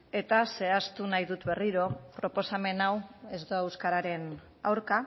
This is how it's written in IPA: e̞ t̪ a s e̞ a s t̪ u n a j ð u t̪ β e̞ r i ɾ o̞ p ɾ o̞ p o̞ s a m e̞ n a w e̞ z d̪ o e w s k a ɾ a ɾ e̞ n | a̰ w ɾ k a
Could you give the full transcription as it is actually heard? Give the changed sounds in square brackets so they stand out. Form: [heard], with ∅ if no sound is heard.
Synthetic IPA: e̞ t̪ a s e̞ a s t̪ u n a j ð u t̪ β e̞ r i ɾ o̞ p ɾ o̞ p o̞ s a m e̞ n a w e̞ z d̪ o e w s k a ɾ a ɾ e̞ n | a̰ w ɾ k a